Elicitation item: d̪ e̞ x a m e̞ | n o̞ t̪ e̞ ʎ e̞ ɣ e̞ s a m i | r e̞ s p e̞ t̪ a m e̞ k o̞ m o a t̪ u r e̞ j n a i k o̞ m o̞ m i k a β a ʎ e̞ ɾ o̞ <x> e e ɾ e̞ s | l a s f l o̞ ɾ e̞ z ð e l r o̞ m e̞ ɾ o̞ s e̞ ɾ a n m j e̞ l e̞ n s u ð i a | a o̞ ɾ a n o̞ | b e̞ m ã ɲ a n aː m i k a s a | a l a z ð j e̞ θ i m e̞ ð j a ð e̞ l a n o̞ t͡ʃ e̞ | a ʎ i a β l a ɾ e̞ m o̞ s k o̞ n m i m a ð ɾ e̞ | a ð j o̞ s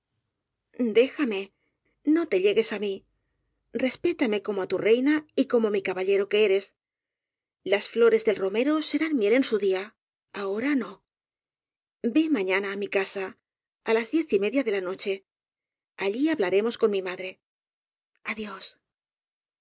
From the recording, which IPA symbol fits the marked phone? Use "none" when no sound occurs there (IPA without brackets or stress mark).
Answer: k